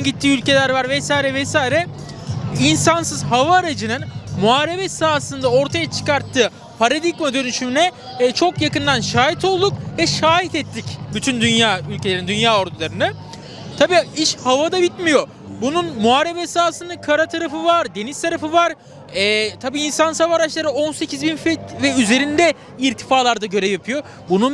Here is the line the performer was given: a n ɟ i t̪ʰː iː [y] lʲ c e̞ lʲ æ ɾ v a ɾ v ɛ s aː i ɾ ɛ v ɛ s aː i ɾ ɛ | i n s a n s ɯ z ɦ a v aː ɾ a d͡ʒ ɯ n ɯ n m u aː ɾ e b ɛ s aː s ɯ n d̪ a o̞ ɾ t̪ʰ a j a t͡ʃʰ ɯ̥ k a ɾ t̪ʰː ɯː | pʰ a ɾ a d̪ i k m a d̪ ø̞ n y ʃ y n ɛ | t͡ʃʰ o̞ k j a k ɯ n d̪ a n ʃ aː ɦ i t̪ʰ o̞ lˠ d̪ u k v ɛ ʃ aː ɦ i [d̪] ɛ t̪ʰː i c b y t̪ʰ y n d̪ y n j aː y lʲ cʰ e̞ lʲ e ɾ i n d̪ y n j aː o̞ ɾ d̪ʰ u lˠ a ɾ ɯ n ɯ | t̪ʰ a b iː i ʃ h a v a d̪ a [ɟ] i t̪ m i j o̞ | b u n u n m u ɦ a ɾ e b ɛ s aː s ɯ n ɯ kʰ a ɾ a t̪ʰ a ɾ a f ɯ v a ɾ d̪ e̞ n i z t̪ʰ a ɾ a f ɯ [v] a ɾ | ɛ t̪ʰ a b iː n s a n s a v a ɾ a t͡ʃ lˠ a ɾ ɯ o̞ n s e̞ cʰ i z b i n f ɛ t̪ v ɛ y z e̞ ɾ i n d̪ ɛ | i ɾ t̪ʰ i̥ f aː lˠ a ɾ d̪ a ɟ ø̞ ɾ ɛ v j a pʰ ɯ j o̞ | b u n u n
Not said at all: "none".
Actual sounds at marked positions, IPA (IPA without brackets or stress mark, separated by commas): y, t̪, b, v